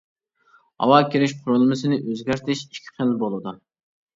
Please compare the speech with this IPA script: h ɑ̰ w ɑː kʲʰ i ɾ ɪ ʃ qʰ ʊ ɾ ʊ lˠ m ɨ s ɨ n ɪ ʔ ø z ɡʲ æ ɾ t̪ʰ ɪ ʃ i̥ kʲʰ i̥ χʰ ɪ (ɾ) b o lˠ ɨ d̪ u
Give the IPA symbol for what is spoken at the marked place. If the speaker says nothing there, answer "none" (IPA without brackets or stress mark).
l